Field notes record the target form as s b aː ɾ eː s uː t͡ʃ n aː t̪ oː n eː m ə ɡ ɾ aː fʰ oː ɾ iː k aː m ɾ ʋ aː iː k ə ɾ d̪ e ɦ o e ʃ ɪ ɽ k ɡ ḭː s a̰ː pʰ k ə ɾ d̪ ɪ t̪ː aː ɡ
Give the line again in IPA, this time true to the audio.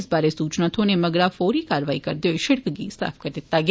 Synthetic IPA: s b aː ɾ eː s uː t͡ʃ n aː t̪ʰ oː n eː m ə ɡ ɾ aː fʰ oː ɾ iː k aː ɾ ʋ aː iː k ə ɾ d̪ e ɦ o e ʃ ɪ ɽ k ɡ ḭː s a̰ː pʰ k ə ɾ d̪ ɪ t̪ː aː ɡ